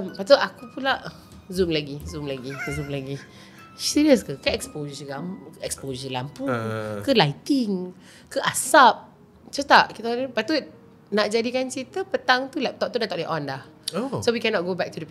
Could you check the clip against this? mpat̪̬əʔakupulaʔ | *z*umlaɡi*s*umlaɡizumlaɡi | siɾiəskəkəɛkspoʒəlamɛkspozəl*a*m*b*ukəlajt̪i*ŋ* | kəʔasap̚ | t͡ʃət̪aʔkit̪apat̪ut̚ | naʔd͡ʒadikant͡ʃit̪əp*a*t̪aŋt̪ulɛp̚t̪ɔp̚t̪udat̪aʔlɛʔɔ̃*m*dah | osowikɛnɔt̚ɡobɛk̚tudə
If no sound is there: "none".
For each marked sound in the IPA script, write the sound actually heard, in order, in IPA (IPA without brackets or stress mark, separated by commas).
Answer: z, z, a, p, ŋ, ə, n